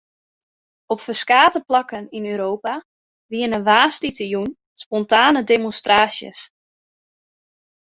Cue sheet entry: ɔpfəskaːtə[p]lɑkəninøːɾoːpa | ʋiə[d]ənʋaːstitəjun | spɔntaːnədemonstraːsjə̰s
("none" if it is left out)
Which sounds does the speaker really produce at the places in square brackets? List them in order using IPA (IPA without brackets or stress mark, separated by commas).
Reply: p, n